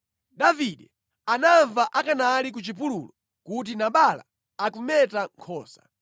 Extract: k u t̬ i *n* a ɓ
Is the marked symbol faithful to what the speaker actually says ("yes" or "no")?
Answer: yes